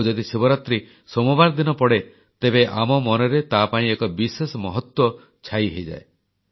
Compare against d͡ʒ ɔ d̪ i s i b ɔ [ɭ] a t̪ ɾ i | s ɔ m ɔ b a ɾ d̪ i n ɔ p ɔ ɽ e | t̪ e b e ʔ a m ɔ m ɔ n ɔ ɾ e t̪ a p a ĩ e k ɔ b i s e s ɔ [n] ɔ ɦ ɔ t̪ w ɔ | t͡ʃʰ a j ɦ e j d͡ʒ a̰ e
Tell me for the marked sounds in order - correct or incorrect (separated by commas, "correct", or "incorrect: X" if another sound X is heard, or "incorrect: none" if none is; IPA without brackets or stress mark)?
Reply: incorrect: ɾ, incorrect: m